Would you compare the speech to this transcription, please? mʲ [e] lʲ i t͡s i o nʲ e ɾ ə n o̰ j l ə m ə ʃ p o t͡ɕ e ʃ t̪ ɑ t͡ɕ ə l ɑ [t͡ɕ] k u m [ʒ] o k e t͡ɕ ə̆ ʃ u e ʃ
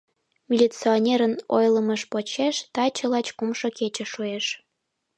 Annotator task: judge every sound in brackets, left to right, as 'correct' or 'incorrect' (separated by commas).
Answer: incorrect, correct, incorrect